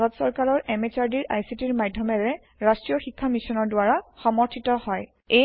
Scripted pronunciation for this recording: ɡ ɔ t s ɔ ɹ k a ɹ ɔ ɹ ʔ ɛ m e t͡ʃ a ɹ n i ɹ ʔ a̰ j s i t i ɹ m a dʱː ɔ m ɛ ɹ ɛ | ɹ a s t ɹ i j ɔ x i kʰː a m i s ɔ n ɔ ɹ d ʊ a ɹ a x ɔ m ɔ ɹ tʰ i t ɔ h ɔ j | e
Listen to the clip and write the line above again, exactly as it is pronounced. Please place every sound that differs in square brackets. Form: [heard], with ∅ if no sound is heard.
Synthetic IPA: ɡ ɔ t s ɔ ɹ k a ɹ ɔ ɹ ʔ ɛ m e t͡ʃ a ɹ [d] i ɹ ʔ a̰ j s i t i ɹ m a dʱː ɔ m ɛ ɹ ɛ | ɹ a s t ɹ i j ɔ x i kʰː a m i s ɔ n ɔ ɹ d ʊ a ɹ a x ɔ m ɔ ɹ tʰ i t ɔ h ɔ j | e